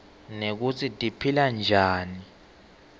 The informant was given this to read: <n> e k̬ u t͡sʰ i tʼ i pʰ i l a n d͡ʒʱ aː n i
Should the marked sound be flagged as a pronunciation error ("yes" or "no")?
no